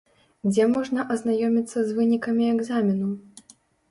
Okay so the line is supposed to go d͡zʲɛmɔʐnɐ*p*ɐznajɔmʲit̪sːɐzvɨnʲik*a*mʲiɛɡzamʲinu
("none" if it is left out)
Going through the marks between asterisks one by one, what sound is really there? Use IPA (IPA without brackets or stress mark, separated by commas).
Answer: ʔ, ɐ